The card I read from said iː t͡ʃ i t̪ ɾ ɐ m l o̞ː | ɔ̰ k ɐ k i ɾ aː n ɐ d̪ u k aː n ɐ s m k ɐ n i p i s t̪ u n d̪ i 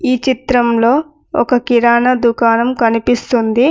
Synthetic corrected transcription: iː t͡ʃ i t̪ ɾ ɐ m l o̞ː | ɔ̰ k ɐ k i ɾ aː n ɐ d̪ u k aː n ɐ m k ɐ n i p i s t̪ u n d̪ i